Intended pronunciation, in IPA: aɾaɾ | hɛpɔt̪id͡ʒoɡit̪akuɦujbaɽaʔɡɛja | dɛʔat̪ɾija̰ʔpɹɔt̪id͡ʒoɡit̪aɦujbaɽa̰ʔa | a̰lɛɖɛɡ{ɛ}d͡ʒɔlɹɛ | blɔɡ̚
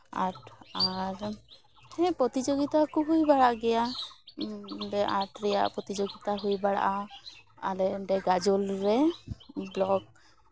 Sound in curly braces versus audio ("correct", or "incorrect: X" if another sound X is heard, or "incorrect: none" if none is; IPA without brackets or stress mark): incorrect: a